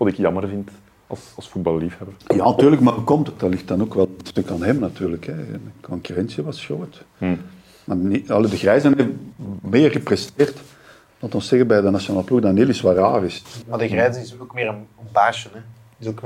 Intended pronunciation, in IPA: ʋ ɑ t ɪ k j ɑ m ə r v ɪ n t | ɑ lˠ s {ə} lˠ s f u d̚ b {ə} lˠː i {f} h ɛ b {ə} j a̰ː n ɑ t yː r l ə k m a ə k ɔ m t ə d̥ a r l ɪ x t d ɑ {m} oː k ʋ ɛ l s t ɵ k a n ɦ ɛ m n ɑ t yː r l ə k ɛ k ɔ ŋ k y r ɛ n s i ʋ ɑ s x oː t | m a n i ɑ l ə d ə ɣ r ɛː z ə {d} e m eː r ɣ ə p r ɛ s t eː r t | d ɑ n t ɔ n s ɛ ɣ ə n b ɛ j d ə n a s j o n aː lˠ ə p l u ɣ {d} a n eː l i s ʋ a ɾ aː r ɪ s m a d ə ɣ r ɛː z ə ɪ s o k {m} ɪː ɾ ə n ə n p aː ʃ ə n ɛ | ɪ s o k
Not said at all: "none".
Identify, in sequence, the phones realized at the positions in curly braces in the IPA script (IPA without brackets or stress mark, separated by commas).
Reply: ɑ, ɑ, f, ə, n, n, d, m